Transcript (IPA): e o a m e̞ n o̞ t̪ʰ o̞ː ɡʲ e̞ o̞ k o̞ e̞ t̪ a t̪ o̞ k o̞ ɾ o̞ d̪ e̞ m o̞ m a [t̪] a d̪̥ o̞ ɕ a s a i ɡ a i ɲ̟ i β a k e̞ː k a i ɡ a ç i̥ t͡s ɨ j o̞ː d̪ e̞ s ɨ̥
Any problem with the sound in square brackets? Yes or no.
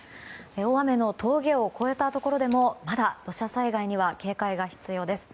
yes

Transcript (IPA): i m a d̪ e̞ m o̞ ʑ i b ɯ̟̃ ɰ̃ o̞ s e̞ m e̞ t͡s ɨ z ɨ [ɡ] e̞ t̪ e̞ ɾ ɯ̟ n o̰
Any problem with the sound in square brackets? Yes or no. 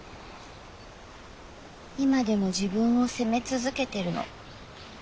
yes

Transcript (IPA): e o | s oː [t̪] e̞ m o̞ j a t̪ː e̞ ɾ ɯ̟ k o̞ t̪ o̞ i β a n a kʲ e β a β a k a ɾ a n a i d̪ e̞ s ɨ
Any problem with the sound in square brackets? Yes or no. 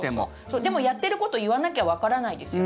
yes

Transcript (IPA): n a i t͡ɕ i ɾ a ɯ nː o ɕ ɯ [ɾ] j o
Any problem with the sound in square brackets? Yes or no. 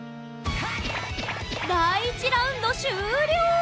no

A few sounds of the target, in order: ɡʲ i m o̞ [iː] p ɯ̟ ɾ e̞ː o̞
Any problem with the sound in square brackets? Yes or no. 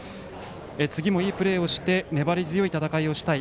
no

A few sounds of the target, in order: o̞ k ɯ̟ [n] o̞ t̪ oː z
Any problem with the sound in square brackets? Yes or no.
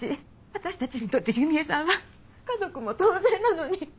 yes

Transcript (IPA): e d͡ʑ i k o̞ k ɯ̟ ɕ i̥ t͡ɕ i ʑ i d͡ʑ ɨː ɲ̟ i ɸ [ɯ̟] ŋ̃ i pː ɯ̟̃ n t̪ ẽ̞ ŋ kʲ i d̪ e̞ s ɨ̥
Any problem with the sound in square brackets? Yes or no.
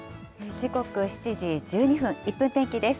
yes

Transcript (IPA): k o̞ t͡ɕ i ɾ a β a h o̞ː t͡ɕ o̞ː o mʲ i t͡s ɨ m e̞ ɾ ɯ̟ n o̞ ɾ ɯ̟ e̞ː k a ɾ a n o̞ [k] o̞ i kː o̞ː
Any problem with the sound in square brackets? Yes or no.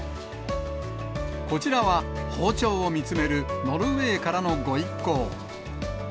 yes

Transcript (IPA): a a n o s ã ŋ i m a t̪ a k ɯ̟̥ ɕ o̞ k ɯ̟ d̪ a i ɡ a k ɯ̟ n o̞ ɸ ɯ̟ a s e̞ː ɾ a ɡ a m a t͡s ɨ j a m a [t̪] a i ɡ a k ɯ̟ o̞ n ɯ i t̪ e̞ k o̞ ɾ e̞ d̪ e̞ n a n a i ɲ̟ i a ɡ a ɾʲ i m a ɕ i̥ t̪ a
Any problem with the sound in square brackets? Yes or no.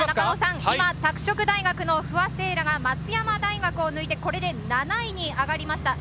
yes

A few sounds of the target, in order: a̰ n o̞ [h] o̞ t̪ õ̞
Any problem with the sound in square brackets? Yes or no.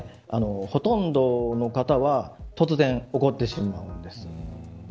no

